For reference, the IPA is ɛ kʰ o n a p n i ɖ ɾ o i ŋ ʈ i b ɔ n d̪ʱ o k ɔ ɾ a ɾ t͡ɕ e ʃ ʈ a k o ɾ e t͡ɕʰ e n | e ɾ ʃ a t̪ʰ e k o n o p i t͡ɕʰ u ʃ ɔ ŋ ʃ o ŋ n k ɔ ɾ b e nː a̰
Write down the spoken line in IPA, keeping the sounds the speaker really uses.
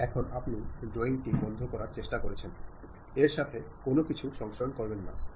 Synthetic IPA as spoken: ɛ kʰ o n a p n i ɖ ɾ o i ŋ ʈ i b ɔ n d̪ʱ o k ɔ ɾ a ɾ t͡ɕ e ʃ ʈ a k o ɾ e t͡ɕʰ e n | e ɾ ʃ a t̪ʰ e k o n o k i t͡ɕʰ u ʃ ɔ ŋ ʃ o n k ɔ ɾ b e nː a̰